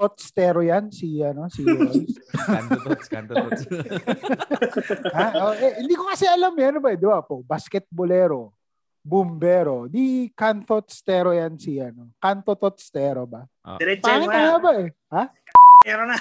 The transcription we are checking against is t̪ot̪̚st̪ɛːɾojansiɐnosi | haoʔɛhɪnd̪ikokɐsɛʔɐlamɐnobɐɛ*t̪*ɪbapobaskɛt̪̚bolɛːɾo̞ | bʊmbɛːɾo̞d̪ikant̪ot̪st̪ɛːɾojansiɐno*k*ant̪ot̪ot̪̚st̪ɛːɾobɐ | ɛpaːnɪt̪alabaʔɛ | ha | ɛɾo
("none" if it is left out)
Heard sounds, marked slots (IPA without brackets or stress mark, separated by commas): d̪, k